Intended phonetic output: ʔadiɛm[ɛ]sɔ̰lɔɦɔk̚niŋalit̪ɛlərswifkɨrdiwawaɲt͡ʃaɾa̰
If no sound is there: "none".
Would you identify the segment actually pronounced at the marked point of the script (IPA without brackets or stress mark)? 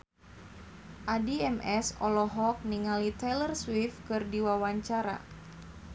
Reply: ɛ